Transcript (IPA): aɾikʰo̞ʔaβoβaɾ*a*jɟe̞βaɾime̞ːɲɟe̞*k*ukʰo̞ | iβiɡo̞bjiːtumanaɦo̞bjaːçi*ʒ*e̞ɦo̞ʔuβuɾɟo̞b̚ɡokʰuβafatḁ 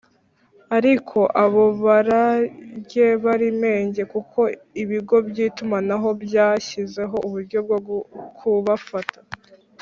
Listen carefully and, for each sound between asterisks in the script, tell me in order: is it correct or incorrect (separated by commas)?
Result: correct, correct, incorrect